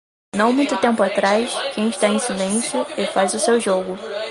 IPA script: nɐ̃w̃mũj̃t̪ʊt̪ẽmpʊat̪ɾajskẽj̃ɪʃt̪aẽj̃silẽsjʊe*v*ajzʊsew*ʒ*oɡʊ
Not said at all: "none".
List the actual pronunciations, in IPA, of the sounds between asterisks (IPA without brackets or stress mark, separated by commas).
f, ʒ